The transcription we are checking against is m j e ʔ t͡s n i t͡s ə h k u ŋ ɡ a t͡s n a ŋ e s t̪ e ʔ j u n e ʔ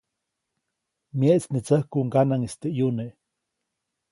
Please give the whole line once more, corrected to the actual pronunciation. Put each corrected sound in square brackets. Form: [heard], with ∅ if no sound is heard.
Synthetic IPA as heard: m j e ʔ t͡s n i t͡s ə h k u ŋ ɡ a [∅] n a ŋ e s t̪ e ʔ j u n e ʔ